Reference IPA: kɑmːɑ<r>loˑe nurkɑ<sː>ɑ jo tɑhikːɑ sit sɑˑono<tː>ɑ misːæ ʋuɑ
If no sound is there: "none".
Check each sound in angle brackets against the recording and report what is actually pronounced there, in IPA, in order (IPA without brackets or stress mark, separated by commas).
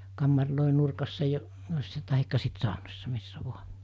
r, sː, sː